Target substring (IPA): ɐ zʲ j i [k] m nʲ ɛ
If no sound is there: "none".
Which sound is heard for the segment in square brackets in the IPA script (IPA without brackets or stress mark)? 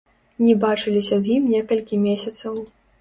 none